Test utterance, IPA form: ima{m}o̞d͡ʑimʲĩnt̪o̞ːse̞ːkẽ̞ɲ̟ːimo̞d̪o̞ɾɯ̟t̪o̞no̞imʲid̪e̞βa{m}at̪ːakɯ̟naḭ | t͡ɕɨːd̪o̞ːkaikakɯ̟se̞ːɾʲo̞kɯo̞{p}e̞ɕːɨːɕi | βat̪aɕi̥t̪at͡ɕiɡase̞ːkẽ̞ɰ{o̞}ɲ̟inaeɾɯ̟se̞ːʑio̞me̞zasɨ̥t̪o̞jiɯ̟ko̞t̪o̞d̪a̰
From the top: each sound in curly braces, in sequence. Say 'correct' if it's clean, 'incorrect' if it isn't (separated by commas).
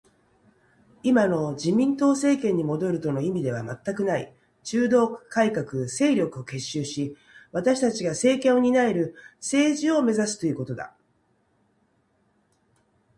incorrect, correct, incorrect, correct